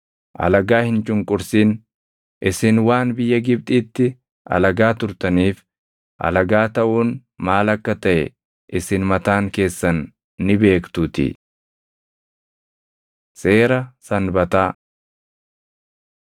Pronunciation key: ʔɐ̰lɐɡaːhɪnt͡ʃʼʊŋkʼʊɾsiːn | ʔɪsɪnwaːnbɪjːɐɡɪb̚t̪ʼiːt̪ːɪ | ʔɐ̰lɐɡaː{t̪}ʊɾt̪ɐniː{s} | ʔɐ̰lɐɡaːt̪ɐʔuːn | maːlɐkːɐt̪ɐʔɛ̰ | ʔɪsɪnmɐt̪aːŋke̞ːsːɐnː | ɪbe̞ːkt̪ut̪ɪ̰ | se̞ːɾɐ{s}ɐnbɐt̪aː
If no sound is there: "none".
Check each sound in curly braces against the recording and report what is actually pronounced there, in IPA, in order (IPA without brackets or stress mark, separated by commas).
t̪, f, s